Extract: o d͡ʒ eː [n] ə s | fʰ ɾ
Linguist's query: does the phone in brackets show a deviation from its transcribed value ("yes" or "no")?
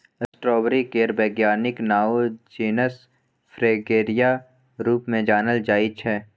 no